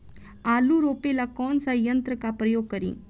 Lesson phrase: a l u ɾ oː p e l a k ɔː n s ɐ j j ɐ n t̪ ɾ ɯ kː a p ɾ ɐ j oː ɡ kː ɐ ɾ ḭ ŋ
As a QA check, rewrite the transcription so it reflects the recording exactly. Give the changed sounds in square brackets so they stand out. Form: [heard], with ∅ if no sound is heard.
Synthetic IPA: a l u ɾ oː p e l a k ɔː n s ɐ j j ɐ n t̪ ɾ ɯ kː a p ɾ ɐ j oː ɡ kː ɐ ɾ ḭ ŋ